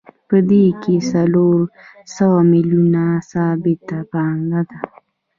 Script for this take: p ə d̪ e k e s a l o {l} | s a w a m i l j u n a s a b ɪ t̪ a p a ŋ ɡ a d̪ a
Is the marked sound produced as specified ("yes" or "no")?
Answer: no